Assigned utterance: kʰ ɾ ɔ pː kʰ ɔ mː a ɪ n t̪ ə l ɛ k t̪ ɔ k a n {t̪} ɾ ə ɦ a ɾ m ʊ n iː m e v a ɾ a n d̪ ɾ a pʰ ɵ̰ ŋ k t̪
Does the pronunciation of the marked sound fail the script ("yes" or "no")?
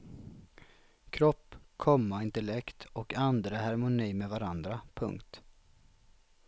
yes